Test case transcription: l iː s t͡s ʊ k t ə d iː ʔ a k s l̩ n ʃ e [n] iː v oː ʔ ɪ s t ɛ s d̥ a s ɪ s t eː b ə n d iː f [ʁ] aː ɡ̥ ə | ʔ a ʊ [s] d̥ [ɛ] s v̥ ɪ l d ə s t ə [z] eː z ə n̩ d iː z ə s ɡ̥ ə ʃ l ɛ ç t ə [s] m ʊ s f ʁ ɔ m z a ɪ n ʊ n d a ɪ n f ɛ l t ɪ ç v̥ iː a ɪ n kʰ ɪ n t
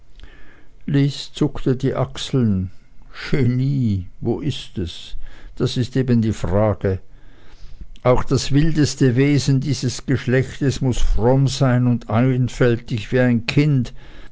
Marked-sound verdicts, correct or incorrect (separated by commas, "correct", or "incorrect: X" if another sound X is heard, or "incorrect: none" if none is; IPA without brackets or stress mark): correct, correct, incorrect: x, incorrect: a, incorrect: v, correct